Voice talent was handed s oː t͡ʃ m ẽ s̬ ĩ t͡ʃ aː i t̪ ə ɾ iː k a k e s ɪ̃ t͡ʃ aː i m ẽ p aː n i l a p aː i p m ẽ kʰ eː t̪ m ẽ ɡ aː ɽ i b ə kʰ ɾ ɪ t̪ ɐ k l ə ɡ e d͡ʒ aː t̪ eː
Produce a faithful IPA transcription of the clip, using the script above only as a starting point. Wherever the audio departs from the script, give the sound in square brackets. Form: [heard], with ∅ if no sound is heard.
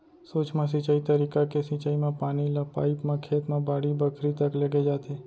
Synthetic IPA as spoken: s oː t͡ʃ m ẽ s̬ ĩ t͡ʃ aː i t̪ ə ɾ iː k a k e s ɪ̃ t͡ʃ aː i m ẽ p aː n i l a p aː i p m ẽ kʰ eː t̪ m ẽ [b] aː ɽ i b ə kʰ ɾ [i] t̪ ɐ k l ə ɡ e d͡ʒ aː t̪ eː